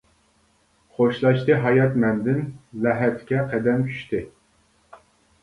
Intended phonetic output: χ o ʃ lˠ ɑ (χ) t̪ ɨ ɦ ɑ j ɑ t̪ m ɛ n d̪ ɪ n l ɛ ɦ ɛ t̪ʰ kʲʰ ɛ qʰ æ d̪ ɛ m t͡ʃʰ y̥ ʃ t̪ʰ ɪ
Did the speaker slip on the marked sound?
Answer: yes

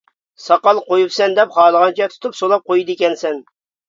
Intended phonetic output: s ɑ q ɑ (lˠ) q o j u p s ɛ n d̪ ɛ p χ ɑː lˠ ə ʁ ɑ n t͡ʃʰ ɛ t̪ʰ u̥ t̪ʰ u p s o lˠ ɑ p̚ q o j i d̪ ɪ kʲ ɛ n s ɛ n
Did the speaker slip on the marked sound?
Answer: no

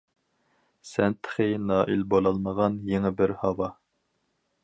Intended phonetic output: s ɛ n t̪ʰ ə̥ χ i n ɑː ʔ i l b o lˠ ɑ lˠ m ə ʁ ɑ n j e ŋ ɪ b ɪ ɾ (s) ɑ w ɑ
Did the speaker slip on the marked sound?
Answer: yes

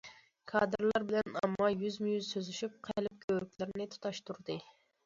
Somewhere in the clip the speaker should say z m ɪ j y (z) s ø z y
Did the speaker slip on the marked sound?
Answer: no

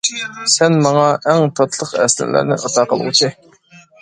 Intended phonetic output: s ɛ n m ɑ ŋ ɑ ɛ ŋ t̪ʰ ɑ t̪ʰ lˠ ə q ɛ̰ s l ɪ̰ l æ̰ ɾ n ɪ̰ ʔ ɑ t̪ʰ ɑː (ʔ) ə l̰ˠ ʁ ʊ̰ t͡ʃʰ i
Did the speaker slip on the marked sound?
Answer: yes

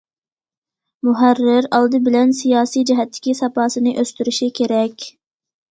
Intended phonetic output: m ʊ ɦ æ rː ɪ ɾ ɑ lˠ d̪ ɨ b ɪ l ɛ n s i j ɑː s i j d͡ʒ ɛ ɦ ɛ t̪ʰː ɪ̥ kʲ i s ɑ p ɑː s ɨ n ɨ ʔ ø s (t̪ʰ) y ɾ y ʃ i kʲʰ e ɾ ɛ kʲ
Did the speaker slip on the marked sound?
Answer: yes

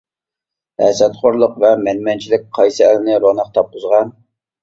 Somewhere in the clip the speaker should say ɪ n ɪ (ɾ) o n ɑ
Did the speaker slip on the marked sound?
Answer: no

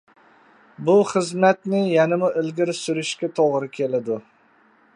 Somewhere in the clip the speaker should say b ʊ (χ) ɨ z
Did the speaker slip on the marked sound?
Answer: no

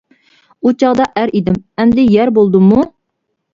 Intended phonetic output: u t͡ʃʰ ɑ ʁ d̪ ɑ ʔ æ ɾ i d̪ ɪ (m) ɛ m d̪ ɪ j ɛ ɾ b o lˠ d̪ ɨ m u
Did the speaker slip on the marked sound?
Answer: no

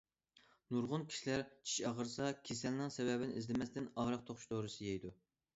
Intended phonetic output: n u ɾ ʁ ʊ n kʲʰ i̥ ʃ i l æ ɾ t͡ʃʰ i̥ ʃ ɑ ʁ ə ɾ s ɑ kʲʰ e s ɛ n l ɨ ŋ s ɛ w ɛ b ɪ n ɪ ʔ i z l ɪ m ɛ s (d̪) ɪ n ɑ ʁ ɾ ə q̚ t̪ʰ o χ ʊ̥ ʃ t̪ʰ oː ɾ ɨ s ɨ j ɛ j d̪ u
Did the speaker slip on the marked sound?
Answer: yes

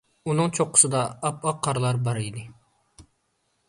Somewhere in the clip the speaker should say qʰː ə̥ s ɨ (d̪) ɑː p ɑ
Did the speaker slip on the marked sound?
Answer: no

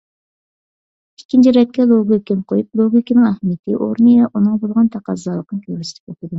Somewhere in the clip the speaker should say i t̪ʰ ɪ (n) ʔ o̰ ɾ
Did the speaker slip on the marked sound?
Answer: yes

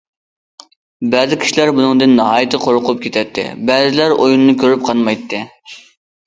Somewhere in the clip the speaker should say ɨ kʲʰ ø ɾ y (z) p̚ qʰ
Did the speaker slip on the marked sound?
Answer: yes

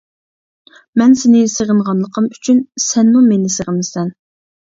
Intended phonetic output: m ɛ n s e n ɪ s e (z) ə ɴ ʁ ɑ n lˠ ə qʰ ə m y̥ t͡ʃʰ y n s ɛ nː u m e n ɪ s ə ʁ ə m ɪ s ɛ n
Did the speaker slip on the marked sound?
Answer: yes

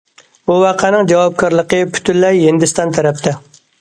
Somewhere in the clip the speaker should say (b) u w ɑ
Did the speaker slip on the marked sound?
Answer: no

